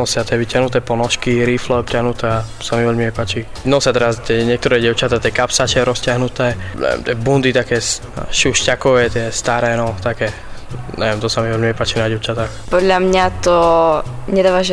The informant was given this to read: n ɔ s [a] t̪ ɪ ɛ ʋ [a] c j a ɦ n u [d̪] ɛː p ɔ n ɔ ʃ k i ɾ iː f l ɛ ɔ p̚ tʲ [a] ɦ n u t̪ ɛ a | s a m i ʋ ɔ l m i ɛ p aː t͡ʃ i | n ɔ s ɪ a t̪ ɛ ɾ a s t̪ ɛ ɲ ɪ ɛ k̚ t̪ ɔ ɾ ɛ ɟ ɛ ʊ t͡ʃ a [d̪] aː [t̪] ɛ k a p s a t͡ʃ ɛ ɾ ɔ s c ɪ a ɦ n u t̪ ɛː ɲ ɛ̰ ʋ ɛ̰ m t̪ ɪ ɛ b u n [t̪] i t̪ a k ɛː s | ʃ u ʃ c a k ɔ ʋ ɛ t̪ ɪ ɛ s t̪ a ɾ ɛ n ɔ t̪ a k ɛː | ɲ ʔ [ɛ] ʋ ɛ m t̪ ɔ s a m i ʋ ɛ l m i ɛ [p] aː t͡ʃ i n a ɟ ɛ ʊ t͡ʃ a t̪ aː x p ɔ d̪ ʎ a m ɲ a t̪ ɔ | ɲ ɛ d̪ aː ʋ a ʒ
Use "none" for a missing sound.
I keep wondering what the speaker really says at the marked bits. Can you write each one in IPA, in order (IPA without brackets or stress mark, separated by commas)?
a, i, t̪, a, t̪, t̪, d̪, ɛ, p